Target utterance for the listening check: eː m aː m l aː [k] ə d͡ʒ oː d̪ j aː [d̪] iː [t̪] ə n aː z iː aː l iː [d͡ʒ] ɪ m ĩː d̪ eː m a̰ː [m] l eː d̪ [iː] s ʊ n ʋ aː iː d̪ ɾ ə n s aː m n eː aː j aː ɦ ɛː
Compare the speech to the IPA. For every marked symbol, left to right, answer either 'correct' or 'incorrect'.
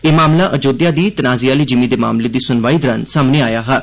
incorrect, correct, correct, correct, correct, correct

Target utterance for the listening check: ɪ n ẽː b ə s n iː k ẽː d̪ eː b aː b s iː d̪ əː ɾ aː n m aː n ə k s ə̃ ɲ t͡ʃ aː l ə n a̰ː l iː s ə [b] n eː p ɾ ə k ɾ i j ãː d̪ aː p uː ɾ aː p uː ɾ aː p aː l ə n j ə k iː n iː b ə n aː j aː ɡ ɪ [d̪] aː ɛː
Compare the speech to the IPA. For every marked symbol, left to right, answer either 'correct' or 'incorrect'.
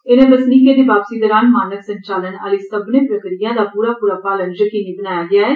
correct, incorrect

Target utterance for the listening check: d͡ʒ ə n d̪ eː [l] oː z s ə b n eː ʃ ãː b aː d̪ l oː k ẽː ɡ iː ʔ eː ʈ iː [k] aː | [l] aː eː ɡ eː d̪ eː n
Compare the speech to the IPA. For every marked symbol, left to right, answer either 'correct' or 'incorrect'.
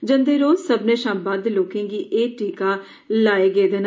incorrect, correct, correct

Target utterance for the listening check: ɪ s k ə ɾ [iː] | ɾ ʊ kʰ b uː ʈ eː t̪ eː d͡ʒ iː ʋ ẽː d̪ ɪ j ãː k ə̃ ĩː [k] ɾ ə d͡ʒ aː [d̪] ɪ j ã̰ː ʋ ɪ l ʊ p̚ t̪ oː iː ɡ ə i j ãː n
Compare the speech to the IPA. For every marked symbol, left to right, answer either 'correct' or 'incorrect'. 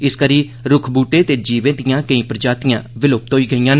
correct, incorrect, incorrect

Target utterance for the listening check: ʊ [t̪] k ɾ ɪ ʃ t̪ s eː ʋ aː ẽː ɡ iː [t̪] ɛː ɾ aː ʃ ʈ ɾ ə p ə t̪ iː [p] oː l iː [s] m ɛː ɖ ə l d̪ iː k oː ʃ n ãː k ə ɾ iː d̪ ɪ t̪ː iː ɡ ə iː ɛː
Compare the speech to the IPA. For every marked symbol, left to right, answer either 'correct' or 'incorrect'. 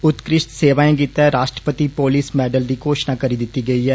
correct, correct, correct, correct

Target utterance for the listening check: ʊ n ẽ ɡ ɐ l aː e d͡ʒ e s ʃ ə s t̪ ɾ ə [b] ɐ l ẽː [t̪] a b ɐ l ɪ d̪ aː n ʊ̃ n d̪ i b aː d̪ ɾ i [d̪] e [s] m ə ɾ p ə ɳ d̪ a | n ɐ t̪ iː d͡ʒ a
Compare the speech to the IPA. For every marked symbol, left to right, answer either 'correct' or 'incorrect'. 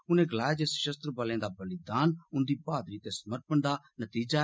correct, incorrect, incorrect, correct

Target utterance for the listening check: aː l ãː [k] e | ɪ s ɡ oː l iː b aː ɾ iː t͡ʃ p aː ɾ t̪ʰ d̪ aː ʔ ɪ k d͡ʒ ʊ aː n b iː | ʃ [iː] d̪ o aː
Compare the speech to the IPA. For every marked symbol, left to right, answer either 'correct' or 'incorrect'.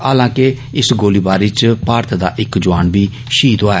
correct, correct

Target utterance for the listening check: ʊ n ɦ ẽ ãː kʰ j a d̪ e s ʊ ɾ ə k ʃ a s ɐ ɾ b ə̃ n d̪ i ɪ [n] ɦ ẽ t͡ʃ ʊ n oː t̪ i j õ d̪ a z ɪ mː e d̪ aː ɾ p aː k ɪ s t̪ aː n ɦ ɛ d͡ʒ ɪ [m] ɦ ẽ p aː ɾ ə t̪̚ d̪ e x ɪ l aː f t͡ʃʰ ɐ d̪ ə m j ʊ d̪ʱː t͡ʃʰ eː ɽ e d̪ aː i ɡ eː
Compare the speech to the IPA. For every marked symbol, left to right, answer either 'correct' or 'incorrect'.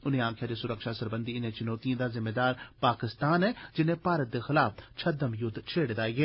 correct, incorrect

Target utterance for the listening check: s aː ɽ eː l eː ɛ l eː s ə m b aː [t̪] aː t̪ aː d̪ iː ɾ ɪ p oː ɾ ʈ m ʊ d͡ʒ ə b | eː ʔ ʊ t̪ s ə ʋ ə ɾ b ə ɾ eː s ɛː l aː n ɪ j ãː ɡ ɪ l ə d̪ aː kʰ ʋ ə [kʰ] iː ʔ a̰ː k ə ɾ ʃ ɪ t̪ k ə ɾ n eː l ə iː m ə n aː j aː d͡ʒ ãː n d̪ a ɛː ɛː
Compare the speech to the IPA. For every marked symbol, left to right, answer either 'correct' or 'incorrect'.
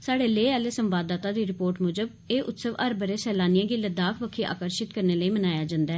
incorrect, correct

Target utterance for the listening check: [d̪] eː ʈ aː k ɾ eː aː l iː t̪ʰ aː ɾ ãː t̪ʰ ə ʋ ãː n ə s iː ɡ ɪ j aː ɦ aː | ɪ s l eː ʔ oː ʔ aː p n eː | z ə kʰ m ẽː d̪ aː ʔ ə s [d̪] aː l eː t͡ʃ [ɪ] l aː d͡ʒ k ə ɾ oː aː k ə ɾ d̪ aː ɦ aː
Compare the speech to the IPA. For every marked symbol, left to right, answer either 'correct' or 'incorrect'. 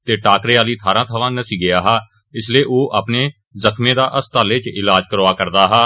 incorrect, incorrect, correct

